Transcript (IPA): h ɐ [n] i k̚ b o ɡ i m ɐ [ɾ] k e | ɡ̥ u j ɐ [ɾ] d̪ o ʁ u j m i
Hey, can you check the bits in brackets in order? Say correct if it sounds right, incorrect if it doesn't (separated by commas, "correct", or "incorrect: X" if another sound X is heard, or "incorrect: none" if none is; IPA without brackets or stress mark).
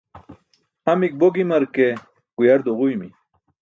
incorrect: m, correct, correct